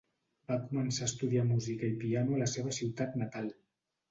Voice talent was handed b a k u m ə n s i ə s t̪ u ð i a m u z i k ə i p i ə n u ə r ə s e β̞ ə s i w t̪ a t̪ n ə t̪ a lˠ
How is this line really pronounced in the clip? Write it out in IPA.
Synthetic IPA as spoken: b a k u m ə n s a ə s t̪ u ð i a m u z i k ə i p i a n u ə l ə s e β̞ ə s i w t̪ a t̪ n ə t̪ a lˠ